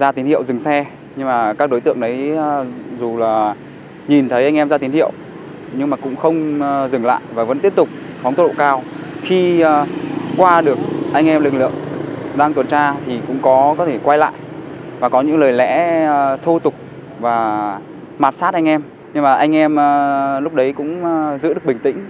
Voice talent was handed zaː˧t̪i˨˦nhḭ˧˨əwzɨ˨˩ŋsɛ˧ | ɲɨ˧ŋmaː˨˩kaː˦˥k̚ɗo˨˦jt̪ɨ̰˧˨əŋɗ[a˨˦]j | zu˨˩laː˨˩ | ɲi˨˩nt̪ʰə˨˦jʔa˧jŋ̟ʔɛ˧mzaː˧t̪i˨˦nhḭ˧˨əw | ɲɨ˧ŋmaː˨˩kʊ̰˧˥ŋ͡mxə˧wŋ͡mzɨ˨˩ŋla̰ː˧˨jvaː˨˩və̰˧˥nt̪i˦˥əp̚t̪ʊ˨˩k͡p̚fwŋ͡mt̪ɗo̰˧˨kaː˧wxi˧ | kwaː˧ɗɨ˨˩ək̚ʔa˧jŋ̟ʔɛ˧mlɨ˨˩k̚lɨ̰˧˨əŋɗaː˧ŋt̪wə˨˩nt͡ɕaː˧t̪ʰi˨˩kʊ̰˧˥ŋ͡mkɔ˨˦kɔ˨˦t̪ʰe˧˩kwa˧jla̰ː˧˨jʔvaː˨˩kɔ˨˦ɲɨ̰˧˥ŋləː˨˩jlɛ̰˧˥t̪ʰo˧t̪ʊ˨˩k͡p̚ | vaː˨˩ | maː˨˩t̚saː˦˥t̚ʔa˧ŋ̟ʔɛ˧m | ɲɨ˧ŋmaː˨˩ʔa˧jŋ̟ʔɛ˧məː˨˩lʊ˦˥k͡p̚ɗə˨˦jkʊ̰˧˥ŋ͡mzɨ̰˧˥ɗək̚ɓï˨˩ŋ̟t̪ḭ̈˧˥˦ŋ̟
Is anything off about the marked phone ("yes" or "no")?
yes